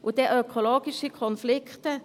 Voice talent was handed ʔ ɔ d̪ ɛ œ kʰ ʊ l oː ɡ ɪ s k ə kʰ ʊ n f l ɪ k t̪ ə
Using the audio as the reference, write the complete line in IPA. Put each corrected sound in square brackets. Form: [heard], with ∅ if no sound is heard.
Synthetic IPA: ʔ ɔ d̪ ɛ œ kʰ ʊ l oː ɡ ɪ s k ə kʰ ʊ n f l ɪ k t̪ ə